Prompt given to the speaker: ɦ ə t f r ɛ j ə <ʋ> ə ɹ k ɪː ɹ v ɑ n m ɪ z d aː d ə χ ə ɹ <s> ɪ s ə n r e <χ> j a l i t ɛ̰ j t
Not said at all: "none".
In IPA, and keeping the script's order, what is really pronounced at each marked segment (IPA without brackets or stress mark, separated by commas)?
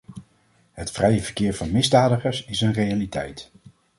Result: v, s, none